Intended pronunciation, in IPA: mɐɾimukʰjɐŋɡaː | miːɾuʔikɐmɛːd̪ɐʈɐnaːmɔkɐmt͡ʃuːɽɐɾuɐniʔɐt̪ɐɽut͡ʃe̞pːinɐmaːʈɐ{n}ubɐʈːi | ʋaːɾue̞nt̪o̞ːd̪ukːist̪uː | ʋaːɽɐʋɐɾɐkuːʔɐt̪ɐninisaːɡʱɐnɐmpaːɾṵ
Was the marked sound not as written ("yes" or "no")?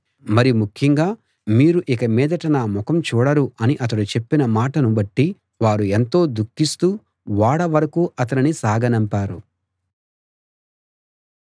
no